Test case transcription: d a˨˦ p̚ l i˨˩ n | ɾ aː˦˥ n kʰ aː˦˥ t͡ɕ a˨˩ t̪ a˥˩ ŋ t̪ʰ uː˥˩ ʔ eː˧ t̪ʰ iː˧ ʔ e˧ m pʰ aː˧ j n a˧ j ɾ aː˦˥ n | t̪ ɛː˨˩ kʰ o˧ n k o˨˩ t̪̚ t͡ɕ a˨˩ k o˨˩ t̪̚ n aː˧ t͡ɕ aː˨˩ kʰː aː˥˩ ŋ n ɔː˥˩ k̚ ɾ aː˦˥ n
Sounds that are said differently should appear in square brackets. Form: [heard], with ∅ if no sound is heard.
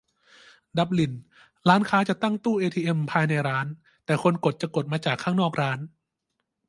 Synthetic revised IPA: d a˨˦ p̚ l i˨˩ n | ɾ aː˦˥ n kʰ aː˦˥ t͡ɕ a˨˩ t̪ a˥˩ ŋ [t̪] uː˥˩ ʔ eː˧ t̪ʰ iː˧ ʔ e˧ m pʰ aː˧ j n a˧ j ɾ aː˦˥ n | t̪ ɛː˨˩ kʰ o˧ n k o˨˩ t̪̚ t͡ɕ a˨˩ k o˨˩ t̪̚ [m] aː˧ t͡ɕ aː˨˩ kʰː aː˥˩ ŋ n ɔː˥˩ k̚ ɾ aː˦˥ n

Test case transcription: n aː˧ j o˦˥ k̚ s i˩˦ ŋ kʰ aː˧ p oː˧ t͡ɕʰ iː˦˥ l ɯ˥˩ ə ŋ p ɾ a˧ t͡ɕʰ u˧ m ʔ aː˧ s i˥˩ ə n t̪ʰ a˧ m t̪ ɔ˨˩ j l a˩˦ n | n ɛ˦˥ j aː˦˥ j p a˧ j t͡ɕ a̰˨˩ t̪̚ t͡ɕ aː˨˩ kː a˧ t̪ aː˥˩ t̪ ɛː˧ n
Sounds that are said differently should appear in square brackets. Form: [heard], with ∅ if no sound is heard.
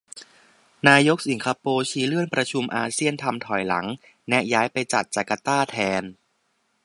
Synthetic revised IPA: n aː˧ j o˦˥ k̚ s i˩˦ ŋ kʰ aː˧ p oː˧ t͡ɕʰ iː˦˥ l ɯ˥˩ ə [n] p ɾ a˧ t͡ɕʰ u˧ m ʔ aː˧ s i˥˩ ə n t̪ʰ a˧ m [t̪ʰ] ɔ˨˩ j l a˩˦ [ŋ] | n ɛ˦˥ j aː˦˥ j p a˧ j t͡ɕ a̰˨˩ t̪̚ t͡ɕ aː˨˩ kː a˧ t̪ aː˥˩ [t̪ʰ] ɛː˧ n

